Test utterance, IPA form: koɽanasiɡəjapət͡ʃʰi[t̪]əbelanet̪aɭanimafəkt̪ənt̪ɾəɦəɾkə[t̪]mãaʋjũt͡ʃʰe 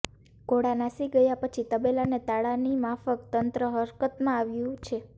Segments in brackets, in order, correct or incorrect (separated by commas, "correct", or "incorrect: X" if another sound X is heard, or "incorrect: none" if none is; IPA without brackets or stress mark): correct, correct